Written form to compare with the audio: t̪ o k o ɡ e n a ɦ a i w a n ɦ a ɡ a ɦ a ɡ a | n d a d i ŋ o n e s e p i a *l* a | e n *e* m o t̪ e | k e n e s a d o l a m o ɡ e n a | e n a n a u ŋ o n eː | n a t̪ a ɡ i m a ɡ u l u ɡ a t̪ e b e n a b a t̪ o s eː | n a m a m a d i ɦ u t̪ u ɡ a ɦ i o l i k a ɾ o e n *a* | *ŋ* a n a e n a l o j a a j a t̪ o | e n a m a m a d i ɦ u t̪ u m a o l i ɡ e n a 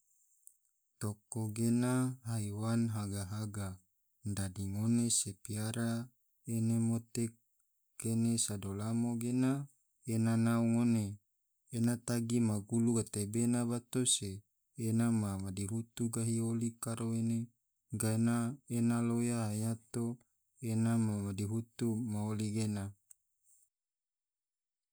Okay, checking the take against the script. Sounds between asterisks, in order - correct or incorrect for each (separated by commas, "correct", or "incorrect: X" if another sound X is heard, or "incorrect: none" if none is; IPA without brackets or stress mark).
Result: incorrect: ɾ, correct, incorrect: e, incorrect: ɡ